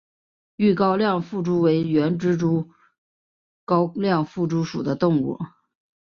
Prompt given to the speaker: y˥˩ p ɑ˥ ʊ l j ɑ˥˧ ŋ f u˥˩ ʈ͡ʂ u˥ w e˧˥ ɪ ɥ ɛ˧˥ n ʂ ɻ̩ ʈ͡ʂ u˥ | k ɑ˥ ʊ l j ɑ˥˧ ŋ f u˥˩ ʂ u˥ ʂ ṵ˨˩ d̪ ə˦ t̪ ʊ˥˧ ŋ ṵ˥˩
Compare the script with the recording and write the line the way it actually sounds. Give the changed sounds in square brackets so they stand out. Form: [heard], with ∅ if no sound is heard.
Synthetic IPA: y˥˩ [k] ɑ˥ ʊ l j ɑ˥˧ ŋ f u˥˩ ʈ͡ʂ u˥ w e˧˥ ɪ ɥ ɛ˧˥ n [ʈ͡ʂ] ɻ̩ ʈ͡ʂ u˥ | k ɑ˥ ʊ l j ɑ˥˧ ŋ f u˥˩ [ʈ͡ʂ] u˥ ʂ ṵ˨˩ d̪ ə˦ t̪ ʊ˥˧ ŋ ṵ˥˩

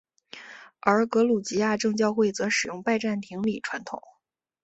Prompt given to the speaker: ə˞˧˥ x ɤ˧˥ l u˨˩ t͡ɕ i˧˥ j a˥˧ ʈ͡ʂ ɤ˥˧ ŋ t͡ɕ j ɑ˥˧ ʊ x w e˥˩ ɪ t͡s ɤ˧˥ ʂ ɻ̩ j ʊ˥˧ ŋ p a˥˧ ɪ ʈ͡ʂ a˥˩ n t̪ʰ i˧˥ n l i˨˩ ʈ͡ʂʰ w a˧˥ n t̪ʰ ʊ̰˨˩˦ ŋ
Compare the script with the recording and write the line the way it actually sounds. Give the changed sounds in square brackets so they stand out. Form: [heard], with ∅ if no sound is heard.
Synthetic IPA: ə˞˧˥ [k] ɤ˧˥ l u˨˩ t͡ɕ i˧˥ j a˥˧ ʈ͡ʂ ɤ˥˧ ŋ t͡ɕ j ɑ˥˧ ʊ x w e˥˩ ɪ t͡s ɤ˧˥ ʂ ɻ̩ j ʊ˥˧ ŋ p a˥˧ ɪ ʈ͡ʂ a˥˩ n t̪ʰ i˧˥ [ŋ] l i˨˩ ʈ͡ʂʰ w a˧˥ n t̪ʰ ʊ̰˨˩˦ ŋ

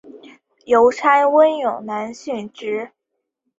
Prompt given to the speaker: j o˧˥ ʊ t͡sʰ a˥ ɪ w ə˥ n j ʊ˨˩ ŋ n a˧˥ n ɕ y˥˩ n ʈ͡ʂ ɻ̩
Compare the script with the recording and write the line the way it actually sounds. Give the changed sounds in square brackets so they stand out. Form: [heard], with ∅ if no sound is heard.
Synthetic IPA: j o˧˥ ʊ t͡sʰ a˥ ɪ w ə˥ n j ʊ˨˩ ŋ n a˧˥ n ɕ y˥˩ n ʈ͡ʂ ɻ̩

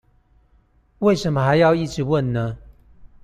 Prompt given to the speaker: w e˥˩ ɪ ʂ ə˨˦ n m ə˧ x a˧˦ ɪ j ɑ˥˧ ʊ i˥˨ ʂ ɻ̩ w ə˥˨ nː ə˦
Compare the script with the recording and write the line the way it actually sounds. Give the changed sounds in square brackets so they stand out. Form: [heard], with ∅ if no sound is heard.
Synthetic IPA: w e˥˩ ɪ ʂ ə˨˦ n m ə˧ x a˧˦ ɪ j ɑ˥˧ ʊ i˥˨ [ʈ͡ʂ] ɻ̩ w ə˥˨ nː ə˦

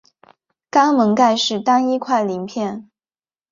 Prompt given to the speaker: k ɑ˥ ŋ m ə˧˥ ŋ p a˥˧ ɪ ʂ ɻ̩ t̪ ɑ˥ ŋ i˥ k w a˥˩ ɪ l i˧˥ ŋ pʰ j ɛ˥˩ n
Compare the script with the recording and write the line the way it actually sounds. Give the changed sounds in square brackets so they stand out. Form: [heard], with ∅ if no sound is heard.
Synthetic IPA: k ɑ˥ ŋ m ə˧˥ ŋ [k] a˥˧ ɪ ʂ ɻ̩ t̪ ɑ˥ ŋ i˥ [kʰ] w a˥˩ ɪ l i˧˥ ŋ pʰ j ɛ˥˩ n

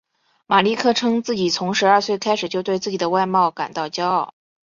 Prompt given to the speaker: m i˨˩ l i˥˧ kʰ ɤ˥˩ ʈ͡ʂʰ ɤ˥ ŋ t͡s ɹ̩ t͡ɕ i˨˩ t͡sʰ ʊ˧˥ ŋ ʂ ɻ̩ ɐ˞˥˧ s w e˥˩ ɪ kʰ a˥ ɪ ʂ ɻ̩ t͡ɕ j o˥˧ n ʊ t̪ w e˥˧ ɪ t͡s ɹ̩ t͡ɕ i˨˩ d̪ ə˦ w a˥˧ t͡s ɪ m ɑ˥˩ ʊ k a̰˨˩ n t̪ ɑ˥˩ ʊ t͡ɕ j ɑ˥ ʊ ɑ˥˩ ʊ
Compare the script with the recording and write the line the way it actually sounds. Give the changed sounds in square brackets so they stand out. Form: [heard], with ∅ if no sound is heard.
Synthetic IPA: m [a˨˩] l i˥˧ kʰ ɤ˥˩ ʈ͡ʂʰ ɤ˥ ŋ t͡s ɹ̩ t͡ɕ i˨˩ t͡sʰ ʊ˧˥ ŋ ʂ ɻ̩ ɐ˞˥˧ s w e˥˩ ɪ kʰ a˥ ɪ ʂ ɻ̩ t͡ɕ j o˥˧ [∅] ʊ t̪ w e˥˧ ɪ t͡s ɹ̩ t͡ɕ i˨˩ d̪ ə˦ w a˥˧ [∅] ɪ m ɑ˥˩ ʊ k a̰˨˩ n t̪ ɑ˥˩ ʊ t͡ɕ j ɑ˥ ʊ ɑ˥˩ ʊ

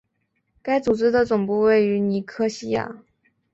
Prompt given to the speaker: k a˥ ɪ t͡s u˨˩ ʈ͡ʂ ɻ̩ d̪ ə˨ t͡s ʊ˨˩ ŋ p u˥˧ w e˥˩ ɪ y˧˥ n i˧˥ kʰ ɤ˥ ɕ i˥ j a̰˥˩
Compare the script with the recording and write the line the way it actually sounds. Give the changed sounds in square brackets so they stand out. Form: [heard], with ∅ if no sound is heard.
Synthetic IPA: k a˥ ɪ t͡s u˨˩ ʈ͡ʂ ɻ̩ d̪ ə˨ t͡s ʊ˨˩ ŋ p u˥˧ w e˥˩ ɪ y˧˥ n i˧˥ kʰ ɤ˥ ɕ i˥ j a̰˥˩

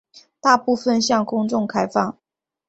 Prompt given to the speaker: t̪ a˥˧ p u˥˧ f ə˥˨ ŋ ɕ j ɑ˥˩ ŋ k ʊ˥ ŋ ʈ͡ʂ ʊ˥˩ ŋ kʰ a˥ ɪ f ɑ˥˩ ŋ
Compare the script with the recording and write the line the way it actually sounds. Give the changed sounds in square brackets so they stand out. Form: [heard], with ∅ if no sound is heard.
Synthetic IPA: t̪ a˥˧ p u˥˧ f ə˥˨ [n] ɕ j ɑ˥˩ ŋ k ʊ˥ ŋ ʈ͡ʂ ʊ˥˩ ŋ kʰ a˥ ɪ f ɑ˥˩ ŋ

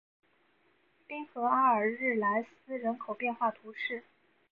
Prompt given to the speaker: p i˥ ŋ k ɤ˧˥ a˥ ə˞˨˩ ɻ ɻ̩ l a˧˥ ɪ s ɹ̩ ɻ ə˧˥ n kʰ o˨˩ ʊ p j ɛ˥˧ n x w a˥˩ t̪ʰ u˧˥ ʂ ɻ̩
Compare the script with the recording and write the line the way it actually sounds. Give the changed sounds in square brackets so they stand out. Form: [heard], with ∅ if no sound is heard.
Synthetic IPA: p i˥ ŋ [x] ɤ˧˥ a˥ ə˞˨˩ ɻ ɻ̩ l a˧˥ ɪ s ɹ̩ ɻ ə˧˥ n kʰ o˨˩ ʊ p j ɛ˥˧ n x w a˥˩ t̪ʰ u˧˥ ʂ ɻ̩

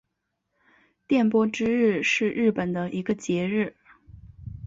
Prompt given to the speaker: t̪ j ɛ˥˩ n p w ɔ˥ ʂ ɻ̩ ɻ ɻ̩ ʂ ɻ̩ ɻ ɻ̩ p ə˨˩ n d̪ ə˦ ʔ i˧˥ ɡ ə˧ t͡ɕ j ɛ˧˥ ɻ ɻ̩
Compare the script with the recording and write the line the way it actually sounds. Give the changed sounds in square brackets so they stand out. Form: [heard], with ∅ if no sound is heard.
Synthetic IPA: t̪ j ɛ˥˩ n p w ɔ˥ [ʈ͡ʂ] ɻ̩ ɻ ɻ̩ ʂ ɻ̩ ɻ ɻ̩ p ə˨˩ n d̪ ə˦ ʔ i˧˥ ɡ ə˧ t͡ɕ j ɛ˧˥ ɻ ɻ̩

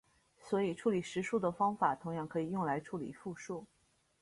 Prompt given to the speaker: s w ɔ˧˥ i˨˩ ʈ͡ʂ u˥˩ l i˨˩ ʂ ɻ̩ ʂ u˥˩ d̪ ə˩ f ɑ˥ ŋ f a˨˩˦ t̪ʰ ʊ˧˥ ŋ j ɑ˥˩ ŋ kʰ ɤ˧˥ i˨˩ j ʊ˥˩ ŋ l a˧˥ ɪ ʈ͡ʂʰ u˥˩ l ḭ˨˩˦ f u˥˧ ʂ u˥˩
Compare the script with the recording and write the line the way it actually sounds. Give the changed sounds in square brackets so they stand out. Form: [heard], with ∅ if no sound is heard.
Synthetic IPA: s w ɔ˧˥ i˨˩ [ʈ͡ʂʰ] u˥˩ l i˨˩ ʂ ɻ̩ ʂ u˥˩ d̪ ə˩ f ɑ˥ ŋ f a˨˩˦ t̪ʰ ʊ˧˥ ŋ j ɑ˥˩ ŋ kʰ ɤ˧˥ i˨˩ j ʊ˥˩ ŋ l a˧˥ ɪ ʈ͡ʂʰ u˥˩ l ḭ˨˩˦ f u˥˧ ʂ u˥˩

